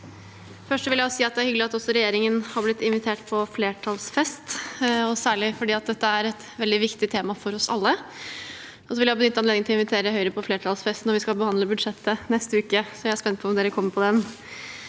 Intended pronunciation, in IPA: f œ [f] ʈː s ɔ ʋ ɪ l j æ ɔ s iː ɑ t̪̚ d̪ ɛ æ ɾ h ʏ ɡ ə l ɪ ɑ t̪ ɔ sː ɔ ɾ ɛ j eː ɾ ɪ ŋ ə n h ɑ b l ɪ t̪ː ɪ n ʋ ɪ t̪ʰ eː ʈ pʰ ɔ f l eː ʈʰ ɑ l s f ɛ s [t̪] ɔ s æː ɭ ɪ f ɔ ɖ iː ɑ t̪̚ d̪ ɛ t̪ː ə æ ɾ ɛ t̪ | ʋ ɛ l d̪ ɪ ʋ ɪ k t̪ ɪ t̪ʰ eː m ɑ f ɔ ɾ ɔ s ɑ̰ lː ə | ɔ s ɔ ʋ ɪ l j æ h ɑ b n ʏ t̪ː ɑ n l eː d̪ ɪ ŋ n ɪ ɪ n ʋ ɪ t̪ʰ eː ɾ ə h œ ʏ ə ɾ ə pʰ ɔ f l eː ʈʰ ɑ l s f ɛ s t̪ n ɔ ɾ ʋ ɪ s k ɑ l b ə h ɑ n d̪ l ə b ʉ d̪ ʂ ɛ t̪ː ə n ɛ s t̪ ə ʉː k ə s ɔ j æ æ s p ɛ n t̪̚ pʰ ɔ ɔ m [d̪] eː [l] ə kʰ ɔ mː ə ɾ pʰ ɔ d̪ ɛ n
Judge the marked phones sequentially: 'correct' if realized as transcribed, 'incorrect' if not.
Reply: incorrect: ʂ, correct, correct, incorrect: ɾ

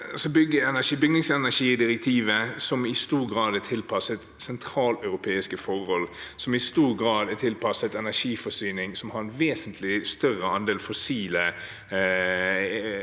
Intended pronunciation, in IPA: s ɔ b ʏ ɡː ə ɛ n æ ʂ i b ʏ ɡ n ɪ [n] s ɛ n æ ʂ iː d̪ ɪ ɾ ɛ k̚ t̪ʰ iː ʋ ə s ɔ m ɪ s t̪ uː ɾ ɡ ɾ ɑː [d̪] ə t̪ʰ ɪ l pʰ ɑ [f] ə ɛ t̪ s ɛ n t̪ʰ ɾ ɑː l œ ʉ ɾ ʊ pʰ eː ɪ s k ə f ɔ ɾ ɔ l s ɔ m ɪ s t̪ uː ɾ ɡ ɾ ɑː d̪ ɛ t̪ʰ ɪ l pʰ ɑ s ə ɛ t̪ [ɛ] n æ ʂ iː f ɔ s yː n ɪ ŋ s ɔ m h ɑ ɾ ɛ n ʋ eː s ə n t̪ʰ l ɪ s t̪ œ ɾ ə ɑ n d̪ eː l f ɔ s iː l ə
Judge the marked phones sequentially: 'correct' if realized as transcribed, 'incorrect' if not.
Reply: incorrect: ŋ, correct, incorrect: s, correct

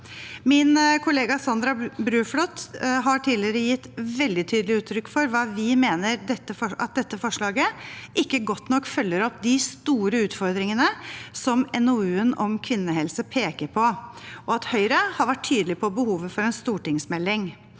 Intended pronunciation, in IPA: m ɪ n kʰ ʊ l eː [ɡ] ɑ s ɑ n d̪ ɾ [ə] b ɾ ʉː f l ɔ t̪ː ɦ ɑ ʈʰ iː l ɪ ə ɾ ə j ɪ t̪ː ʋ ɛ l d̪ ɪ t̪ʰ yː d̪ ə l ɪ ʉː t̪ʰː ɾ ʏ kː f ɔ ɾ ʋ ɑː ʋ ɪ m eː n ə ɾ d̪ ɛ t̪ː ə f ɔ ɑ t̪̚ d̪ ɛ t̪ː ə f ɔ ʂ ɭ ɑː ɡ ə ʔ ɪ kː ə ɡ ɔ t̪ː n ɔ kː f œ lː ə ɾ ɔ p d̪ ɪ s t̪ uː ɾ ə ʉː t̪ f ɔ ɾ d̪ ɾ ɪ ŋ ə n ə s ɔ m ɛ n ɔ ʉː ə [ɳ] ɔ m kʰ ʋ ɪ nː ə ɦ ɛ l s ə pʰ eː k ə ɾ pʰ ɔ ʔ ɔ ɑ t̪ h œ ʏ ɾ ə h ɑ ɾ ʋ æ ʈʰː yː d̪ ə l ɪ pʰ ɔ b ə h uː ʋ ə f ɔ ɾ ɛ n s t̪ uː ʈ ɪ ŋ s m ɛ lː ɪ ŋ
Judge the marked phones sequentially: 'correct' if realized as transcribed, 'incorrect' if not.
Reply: correct, incorrect: ɑ, incorrect: n

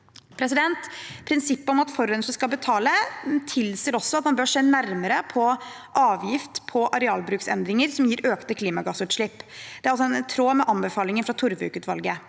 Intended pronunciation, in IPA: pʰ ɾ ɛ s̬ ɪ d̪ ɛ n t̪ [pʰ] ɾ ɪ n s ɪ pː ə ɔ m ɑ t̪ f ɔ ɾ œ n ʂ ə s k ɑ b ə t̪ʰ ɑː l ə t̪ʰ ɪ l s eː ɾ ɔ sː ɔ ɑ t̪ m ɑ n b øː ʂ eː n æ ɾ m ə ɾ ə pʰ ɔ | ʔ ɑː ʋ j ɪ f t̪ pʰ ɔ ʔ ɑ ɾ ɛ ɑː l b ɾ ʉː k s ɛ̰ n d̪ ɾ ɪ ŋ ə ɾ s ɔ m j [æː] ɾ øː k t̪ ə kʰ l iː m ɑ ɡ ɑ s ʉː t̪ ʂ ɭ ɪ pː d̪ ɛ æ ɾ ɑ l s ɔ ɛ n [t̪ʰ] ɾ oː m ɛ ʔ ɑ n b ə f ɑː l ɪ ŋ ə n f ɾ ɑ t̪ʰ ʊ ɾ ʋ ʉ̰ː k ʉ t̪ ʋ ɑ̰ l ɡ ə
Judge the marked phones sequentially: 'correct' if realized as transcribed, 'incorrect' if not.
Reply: correct, incorrect: iː, correct

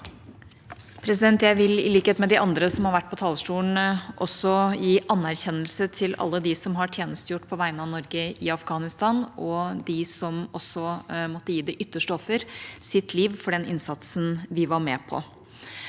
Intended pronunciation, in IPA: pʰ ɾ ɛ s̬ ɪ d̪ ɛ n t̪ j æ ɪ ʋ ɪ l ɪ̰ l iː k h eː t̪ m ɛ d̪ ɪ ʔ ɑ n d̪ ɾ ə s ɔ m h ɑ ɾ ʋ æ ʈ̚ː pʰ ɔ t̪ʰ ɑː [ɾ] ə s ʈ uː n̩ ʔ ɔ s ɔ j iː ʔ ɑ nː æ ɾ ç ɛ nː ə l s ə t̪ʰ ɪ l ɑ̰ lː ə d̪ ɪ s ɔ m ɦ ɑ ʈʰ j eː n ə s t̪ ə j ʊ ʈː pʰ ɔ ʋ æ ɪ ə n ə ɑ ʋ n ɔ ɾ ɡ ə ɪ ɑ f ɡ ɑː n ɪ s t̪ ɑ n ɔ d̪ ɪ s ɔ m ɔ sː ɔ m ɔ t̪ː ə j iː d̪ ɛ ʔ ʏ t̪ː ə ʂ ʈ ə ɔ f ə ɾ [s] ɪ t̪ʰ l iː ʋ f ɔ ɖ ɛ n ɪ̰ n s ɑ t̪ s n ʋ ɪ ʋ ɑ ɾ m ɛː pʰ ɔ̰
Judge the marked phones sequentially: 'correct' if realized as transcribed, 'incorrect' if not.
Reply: incorrect: l, correct

